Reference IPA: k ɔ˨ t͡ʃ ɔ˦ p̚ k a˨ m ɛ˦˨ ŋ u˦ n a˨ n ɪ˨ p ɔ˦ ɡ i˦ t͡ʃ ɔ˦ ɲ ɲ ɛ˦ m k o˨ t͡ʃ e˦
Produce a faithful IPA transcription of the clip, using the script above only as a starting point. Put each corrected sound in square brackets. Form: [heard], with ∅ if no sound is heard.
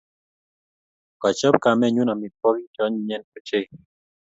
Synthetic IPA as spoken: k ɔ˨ t͡ʃ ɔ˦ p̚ k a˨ m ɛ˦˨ [ɲ] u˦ n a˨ [m] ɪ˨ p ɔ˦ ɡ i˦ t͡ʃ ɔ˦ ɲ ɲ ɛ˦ [n] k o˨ t͡ʃ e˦